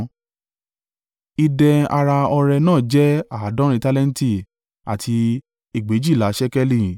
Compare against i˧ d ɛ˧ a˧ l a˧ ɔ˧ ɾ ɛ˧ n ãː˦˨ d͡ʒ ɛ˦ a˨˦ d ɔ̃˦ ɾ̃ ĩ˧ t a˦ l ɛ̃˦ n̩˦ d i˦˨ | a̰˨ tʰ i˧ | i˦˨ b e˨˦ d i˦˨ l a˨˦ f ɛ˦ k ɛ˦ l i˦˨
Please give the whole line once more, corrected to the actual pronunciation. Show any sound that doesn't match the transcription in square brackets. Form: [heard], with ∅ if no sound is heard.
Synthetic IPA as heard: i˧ d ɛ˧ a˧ [ɾ] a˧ ɔ˧ ɾ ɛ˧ n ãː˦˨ d͡ʒ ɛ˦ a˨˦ d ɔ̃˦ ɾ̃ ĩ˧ t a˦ l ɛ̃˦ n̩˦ [t] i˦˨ | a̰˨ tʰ i˧ | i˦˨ [ɡ͡b] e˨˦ [d͡ʒ] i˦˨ l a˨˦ [ʃ] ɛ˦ k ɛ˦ l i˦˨